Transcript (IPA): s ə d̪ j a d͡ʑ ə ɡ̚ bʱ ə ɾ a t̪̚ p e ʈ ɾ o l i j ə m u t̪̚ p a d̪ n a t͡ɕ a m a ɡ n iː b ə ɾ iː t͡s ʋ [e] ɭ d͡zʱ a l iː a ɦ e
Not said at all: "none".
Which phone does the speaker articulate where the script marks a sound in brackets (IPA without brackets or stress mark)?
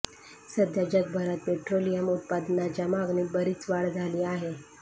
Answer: a